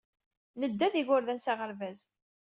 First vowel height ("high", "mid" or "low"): mid